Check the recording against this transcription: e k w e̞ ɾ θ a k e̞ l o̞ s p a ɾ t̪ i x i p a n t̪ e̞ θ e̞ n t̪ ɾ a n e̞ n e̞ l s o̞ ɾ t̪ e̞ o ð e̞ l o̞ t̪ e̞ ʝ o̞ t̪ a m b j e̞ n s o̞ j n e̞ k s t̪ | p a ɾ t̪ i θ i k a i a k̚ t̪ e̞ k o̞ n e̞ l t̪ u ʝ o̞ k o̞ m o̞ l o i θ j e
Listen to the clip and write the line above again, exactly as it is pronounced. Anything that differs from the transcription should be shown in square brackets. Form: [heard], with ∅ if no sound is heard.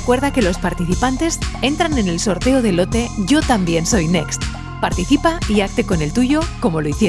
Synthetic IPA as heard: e k w e̞ ɾ [ð] a k e̞ l o̞ s p a ɾ t̪ i [θ] i p a n t̪ e̞ [s] e̞ n t̪ ɾ a n e̞ n e̞ l s o̞ ɾ t̪ e̞ o ð e̞ l o̞ t̪ e̞ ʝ o̞ t̪ a m b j e̞ n s o̞ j n e̞ k s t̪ | p a ɾ t̪ i θ i [p] a i a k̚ t̪ e̞ k o̞ n e̞ l t̪ u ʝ o̞ k o̞ m o̞ l o i θ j e